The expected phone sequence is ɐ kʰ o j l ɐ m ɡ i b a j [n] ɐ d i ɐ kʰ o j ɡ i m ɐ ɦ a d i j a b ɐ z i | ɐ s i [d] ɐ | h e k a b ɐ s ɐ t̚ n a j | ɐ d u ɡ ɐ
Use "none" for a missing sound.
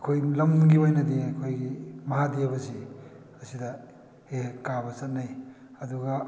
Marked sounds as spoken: n, d

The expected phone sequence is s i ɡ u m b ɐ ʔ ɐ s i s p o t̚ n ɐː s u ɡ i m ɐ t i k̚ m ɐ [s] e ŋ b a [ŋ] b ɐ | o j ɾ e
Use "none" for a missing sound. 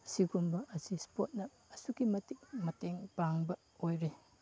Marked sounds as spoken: t, ŋ

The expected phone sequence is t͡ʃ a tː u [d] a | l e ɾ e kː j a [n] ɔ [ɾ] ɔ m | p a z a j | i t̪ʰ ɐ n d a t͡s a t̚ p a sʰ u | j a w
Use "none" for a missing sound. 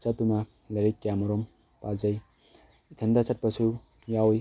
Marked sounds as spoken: n, m, ɾ

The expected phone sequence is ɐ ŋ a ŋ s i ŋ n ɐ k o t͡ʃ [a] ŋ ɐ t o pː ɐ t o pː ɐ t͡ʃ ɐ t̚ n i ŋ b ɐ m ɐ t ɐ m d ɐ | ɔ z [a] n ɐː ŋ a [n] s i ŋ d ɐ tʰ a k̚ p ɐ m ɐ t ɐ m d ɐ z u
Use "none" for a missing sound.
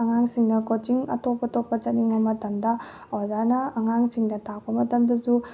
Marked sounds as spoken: i, a, ŋ

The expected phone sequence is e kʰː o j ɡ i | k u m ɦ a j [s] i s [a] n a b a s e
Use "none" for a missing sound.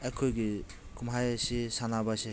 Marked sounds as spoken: s, a

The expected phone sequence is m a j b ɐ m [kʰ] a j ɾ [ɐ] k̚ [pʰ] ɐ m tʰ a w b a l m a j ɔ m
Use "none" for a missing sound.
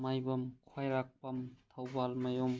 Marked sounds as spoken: kʰ, a, p

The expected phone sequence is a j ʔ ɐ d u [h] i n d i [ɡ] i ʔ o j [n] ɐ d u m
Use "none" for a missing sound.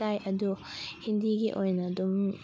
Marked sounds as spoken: h, ɡ, n

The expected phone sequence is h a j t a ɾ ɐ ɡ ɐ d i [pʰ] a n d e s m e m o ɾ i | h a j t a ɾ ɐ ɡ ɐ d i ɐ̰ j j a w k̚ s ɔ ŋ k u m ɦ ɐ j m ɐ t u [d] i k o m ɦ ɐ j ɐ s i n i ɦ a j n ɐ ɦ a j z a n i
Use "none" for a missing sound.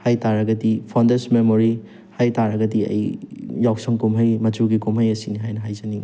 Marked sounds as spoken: pʰ, ɡ

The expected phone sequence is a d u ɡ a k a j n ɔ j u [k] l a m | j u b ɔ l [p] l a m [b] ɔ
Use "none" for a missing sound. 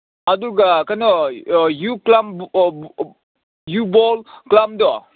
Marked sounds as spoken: k, k, d

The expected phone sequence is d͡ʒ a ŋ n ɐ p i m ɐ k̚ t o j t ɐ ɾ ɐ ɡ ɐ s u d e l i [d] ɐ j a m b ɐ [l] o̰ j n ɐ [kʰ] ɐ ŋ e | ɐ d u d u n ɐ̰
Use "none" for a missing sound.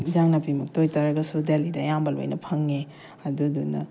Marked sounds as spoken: d, l, pʰ

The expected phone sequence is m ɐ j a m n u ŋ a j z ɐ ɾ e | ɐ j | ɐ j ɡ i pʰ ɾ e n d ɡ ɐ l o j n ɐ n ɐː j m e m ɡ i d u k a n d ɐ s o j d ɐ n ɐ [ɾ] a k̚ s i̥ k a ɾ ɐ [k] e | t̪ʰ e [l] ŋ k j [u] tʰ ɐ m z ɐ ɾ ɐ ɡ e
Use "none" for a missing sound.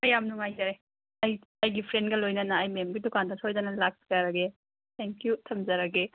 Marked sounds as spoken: l, ɡ, none, u

